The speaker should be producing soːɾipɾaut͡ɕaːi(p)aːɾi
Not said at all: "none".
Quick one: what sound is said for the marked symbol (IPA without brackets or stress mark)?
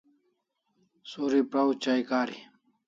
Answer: k